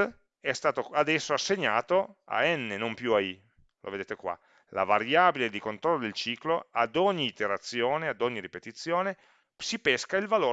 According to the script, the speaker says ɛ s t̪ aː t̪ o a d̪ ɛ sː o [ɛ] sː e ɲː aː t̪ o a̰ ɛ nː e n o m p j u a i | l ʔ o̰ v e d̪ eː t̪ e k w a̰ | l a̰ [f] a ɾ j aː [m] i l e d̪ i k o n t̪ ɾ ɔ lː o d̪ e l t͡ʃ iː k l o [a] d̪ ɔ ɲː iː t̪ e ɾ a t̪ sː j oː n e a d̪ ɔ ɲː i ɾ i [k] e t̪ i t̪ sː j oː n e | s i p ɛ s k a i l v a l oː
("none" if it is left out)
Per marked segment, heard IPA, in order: a, v, b, a, p

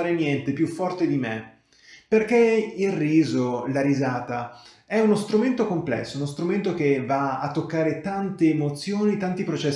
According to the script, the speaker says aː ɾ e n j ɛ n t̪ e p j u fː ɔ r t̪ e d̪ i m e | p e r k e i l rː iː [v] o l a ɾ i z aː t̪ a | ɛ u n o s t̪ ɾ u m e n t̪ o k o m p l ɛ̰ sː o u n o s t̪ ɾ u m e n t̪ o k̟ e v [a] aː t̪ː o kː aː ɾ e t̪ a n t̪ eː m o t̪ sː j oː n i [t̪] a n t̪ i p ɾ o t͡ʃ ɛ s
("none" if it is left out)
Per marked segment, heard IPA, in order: z, a, t̪

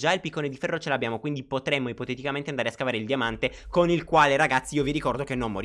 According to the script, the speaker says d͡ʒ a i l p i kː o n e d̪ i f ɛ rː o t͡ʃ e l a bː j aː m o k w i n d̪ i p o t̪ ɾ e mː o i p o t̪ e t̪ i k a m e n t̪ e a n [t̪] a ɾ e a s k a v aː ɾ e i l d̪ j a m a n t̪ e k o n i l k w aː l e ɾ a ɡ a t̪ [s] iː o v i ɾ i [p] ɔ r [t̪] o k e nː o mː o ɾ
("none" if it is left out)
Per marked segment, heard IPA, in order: d̪, sː, k, d̪

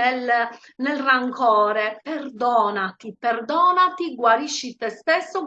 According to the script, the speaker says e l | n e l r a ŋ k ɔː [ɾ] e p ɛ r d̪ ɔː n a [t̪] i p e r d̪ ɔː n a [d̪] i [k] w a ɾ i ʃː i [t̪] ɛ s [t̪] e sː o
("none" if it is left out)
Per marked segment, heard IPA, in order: ɾ, t̪, t̪, ɡ, t̪, t̪

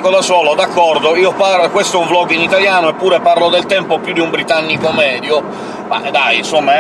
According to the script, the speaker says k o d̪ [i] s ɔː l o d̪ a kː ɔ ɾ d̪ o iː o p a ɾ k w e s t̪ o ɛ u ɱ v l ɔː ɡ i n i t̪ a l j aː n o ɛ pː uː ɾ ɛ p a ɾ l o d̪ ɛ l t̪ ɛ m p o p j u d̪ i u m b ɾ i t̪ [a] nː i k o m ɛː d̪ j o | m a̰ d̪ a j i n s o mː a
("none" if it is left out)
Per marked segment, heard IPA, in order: a, a

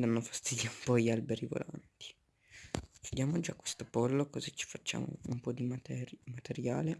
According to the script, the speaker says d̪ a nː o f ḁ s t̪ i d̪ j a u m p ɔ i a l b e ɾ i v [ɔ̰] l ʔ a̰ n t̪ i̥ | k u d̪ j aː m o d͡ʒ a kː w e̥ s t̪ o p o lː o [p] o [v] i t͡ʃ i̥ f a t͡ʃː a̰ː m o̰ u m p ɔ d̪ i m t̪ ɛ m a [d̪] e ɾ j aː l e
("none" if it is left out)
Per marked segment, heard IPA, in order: o̰, k, z, t̪

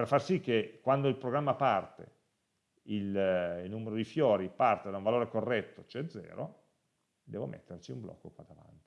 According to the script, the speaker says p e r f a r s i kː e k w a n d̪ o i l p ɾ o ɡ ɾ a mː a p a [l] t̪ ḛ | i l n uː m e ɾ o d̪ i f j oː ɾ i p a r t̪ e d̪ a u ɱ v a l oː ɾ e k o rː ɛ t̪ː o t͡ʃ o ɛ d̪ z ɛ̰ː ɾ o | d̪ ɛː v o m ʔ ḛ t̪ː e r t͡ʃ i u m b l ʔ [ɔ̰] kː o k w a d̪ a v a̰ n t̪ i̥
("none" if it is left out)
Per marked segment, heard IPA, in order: r, ɔ̰

